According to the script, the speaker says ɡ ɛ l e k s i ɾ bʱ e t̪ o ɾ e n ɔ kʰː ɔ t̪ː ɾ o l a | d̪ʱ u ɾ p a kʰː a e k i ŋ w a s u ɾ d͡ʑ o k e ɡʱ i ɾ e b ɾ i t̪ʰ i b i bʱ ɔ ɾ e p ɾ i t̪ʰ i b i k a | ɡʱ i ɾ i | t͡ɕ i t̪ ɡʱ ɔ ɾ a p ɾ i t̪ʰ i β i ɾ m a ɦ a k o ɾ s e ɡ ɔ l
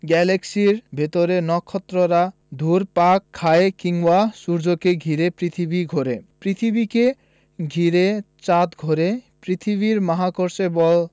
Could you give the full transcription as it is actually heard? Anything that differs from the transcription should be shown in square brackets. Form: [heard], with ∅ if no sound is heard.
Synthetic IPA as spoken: ɡ ɛ l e k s i ɾ bʱ e t̪ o ɾ e n ɔ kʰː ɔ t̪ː ɾ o [ɾ] a | d̪ʱ u ɾ p a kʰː a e k i ŋ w a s u ɾ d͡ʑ o k e ɡʱ i ɾ e [p] ɾ i t̪ʰ i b i [ɡʱ] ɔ ɾ e p ɾ i t̪ʰ i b i k [e] | ɡʱ i ɾ [e] | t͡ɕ [a] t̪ ɡʱ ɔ ɾ [e] p ɾ i t̪ʰ i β i ɾ m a ɦ a k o ɾ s e [b] ɔ l